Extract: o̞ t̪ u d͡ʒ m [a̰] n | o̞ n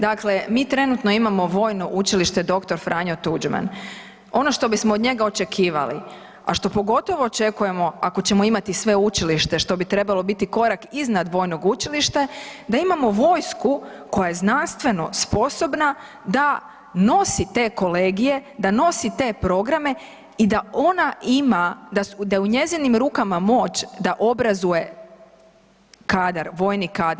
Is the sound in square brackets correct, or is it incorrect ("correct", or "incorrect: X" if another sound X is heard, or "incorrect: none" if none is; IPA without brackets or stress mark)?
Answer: correct